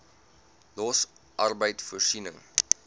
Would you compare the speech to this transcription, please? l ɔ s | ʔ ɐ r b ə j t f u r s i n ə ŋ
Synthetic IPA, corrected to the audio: l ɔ s | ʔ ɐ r b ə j t f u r s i n ə ŋ